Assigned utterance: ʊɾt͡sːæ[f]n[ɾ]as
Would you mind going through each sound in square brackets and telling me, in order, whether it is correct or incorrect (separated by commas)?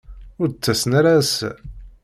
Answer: incorrect, correct